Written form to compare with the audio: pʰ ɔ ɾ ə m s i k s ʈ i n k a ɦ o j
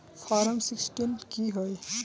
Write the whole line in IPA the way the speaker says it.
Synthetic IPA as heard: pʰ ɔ ɾ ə m s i k s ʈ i n k i ɦ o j